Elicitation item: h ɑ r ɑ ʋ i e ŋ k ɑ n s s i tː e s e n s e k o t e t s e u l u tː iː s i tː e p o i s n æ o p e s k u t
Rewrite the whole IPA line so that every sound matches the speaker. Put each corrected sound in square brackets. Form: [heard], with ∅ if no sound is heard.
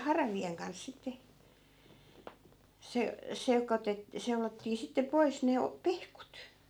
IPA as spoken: h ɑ r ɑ ʋ i e ŋ k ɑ n s s i tː e s e [∅] s e k o t e t s e u l [o] tː iː s i tː e p o i s n [e] o p e [h] k u t